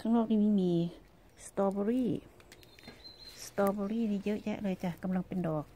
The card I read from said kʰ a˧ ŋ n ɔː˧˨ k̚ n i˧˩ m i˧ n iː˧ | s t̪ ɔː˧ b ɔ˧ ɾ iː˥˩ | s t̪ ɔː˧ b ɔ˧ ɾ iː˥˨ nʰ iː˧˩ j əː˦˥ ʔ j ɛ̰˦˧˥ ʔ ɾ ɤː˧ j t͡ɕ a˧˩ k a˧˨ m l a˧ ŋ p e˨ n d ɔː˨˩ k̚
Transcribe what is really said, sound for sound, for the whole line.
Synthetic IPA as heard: kʰ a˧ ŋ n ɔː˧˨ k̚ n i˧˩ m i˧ m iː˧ | s t̪ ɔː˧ b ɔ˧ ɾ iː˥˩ | s t̪ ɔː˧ b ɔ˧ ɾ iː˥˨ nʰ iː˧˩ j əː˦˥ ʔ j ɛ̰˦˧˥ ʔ l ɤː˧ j t͡ɕ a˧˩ k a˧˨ m l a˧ ŋ p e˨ n d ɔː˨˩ k̚